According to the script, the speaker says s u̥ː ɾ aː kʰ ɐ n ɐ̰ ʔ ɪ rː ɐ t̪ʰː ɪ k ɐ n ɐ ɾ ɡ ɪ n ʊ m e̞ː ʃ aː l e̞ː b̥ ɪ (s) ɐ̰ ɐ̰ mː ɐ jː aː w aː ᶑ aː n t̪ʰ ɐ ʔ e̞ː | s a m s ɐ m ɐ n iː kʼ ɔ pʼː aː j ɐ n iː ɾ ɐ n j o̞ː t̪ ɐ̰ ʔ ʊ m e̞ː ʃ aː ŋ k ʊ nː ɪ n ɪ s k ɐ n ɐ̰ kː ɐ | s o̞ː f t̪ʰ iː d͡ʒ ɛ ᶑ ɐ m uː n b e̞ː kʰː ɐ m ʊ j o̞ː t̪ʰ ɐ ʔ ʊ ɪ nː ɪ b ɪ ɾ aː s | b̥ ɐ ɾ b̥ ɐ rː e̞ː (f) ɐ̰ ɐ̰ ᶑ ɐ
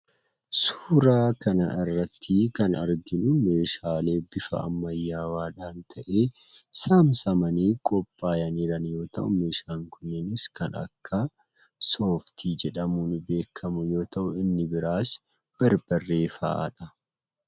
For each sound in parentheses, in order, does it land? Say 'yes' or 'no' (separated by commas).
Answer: no, yes